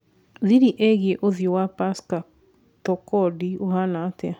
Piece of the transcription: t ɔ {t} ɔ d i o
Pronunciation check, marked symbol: incorrect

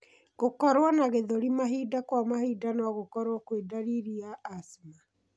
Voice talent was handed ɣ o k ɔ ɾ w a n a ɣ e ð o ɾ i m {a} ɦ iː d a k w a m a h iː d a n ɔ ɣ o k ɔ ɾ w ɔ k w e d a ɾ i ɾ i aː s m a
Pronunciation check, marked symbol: correct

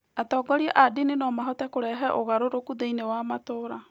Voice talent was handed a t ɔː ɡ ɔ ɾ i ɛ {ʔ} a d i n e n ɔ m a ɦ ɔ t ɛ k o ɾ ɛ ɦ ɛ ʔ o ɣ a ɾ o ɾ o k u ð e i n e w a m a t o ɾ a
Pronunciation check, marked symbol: correct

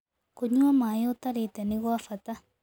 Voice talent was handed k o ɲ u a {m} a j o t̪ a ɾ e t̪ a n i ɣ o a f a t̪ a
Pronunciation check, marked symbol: correct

